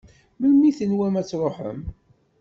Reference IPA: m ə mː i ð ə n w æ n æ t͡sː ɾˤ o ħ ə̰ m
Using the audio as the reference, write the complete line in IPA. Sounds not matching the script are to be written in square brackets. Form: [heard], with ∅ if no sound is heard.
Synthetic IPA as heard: m ə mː i [θ] ə n w æ [m] æ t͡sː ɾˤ o ħ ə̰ m